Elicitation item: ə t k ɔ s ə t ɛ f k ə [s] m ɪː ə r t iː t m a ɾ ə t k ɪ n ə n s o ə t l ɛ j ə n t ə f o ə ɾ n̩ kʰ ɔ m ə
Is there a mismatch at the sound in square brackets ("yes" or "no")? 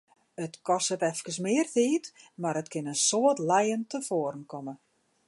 no